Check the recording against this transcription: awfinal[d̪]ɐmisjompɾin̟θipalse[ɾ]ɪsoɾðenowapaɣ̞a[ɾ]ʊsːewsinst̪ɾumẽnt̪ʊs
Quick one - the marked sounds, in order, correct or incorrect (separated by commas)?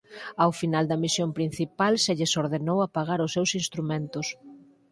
correct, incorrect, correct